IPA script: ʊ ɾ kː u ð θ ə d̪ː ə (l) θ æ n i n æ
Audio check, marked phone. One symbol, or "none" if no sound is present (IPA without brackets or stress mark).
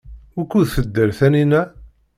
ɾ